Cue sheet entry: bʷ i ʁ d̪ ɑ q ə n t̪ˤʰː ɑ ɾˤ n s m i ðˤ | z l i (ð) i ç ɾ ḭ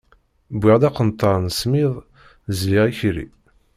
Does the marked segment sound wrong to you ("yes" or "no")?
yes